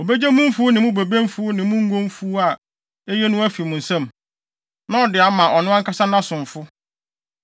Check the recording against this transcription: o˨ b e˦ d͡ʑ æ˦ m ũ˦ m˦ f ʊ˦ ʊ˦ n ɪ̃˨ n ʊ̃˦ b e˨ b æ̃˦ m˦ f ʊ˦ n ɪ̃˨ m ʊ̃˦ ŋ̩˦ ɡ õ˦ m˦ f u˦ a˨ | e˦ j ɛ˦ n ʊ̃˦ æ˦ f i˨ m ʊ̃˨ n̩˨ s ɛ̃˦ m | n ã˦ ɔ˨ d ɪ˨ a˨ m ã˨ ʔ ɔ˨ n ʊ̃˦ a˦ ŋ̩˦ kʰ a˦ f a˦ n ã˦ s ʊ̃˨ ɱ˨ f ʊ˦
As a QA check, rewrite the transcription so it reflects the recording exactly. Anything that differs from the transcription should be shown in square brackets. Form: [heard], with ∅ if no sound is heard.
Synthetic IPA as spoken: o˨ b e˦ d͡ʑ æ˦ m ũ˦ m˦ f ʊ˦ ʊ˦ n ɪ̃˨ [m] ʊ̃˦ b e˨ b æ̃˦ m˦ f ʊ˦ n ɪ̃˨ m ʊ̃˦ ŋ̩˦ ɡ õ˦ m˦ f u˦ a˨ | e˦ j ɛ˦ n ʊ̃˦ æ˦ f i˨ m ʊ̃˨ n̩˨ s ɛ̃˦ m | n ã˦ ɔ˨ d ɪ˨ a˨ m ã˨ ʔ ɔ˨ n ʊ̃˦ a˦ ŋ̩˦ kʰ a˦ [s] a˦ n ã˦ s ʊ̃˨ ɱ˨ f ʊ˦

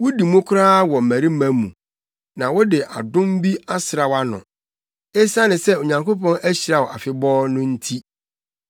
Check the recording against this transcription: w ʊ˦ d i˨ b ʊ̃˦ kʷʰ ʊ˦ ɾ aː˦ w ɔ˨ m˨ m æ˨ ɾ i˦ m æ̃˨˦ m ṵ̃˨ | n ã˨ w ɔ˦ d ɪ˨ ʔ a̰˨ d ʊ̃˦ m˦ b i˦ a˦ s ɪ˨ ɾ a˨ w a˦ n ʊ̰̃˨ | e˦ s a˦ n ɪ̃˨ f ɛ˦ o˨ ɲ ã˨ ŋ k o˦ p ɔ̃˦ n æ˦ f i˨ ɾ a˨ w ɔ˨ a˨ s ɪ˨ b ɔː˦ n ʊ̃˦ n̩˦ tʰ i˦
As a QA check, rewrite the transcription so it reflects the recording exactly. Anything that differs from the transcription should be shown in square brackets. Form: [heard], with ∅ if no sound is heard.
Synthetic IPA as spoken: w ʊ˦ d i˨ [m] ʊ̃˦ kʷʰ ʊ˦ ɾ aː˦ w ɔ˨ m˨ m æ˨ ɾ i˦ m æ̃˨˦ m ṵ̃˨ | n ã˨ w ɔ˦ d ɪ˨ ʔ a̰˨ d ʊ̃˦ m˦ b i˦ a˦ s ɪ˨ ɾ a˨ w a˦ n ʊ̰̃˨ | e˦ s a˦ n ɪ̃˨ [s] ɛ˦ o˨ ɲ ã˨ ŋ k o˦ p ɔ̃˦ n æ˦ [ɕ] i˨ ɾ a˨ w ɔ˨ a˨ [f] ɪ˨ b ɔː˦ n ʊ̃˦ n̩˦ tʰ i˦

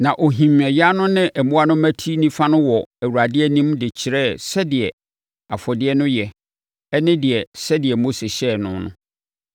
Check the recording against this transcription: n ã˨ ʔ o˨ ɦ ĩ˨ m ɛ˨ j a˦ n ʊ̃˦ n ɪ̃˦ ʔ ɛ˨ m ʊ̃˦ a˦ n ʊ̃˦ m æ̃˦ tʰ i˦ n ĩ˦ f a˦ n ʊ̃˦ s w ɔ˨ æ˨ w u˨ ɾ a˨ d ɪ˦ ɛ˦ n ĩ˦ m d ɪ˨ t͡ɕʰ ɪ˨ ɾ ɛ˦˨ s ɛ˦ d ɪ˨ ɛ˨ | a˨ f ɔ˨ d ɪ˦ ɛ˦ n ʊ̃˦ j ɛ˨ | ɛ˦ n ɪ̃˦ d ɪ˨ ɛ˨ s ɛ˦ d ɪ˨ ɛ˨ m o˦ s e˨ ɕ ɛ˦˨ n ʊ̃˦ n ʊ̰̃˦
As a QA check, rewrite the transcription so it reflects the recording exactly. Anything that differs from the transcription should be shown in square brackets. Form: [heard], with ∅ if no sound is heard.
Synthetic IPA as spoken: n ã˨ ʔ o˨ ɦ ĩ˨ m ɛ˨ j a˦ n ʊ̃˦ n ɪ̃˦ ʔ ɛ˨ m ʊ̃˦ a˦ n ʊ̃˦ m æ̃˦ tʰ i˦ n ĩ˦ f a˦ n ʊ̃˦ [∅] w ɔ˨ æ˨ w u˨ ɾ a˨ d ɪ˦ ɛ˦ n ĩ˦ m d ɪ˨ t͡ɕʰ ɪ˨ ɾ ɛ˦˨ s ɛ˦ d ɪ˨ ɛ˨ | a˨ f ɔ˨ d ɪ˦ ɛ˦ n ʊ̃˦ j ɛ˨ | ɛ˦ n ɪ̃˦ d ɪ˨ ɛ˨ s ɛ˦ d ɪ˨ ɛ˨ m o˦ s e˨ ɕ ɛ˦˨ n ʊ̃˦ n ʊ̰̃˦

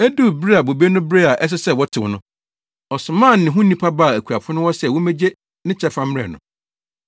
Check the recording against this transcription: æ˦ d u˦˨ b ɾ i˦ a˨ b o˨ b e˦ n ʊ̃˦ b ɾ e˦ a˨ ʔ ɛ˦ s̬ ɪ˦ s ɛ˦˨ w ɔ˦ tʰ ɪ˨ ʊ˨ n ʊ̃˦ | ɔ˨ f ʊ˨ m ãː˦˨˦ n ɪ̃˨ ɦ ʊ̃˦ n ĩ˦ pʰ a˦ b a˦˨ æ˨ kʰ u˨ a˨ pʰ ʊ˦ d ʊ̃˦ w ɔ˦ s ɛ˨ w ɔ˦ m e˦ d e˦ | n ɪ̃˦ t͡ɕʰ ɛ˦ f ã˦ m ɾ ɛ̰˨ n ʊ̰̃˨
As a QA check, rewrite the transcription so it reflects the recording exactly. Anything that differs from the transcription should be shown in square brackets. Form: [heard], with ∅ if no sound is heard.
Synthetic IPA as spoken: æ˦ d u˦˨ b ɾ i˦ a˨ b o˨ b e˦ n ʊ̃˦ b ɾ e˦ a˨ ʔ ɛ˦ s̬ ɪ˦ s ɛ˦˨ w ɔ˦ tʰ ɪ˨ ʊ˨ n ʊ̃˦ | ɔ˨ [s] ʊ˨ m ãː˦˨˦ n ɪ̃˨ ɦ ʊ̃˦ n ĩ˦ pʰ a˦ b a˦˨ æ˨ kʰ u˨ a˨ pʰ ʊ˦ [n] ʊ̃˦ w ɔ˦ s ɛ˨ w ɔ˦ m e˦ [d͡ʑ] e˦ | n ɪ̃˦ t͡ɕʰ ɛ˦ f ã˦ m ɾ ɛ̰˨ n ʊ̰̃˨

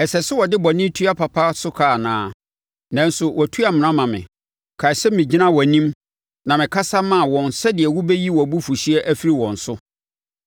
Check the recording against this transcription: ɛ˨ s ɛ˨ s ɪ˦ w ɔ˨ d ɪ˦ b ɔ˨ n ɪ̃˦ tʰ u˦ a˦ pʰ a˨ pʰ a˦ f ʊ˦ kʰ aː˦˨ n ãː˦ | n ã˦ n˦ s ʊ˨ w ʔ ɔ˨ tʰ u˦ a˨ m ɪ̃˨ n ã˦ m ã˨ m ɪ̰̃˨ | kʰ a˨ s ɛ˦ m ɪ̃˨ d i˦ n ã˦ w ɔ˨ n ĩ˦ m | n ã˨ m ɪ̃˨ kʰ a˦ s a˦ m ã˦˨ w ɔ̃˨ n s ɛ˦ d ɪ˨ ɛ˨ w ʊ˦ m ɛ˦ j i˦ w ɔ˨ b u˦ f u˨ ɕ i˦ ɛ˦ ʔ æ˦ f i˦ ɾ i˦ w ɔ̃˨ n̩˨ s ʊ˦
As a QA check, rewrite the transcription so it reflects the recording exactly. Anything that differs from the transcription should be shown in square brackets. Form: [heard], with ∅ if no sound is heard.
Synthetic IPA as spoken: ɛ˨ s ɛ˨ s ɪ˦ w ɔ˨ d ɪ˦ b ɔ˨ n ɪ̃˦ tʰ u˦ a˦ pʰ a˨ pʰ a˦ [s] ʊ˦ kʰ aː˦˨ n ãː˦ | n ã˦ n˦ s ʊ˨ w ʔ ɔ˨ tʰ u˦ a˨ m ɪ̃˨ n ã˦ m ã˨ m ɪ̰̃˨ | kʰ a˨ s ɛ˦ m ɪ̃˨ [d͡ʑ] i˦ n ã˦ w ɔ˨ n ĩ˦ m | n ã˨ m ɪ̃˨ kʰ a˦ s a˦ m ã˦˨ w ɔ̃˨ n s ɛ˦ d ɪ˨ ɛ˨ w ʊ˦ [b] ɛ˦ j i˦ w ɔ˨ b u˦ f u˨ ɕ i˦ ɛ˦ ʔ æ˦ f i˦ ɾ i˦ w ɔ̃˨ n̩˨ s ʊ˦

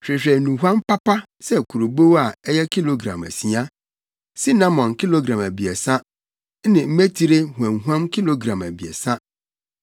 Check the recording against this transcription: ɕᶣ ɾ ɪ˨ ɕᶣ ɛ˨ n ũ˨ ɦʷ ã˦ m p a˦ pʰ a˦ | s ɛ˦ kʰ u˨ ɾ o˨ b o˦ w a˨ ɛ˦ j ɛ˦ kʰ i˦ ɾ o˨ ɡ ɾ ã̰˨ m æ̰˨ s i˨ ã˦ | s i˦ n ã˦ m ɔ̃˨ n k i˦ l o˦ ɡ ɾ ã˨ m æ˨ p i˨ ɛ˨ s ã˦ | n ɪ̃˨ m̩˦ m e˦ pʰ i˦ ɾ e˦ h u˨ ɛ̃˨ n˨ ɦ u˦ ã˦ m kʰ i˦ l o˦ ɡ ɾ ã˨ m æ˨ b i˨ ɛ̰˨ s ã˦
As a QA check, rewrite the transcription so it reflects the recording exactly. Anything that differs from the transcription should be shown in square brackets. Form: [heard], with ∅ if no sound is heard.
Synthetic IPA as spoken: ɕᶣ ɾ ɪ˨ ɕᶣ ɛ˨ n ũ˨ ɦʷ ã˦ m p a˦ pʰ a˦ | s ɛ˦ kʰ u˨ ɾ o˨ b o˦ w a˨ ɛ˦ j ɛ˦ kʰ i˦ [l] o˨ ɡ ɾ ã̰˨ m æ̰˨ s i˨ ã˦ | s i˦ n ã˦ m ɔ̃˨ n k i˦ l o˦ ɡ ɾ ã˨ m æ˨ [b] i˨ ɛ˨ s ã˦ | n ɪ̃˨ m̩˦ m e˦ [tʰ] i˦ ɾ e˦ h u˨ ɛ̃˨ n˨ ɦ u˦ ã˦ m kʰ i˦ l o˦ ɡ ɾ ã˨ m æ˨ b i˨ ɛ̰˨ s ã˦

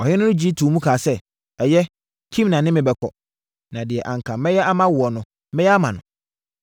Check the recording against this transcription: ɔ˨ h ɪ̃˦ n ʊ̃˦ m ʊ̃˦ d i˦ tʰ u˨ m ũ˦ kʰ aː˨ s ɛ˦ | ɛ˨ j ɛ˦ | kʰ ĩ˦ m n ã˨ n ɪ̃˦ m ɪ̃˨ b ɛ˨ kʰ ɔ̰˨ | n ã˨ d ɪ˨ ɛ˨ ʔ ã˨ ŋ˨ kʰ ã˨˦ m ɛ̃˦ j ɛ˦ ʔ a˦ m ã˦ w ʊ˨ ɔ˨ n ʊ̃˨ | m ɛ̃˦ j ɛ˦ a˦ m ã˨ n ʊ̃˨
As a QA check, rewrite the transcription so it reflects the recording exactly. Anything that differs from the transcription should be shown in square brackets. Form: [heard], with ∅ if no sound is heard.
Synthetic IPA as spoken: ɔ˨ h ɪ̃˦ n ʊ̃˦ [n] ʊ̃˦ [d͡ʑ] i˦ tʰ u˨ m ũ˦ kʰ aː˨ s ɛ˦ | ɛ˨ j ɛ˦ | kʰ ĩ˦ m n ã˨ n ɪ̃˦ m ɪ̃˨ b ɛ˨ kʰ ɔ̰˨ | n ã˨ d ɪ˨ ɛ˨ ʔ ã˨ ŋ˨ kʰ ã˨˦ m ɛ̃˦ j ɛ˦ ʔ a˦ m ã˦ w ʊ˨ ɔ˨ n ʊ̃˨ | m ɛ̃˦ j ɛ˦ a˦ m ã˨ n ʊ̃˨

